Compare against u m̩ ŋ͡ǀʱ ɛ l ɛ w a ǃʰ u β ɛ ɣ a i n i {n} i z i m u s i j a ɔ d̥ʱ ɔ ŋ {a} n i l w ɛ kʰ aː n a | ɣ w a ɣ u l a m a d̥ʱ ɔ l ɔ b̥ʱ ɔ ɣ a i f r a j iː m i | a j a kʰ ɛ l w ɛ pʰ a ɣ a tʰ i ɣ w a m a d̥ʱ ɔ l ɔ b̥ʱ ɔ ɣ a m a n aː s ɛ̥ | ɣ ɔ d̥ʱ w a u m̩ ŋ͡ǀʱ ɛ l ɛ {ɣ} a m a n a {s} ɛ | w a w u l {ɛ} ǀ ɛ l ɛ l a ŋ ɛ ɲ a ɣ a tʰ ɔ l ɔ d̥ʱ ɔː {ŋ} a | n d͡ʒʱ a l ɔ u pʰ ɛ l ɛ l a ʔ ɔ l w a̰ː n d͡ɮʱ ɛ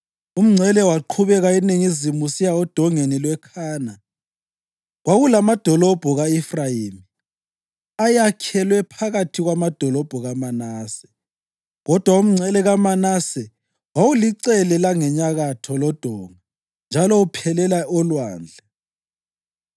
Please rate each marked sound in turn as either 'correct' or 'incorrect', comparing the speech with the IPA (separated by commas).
incorrect, incorrect, correct, correct, incorrect, correct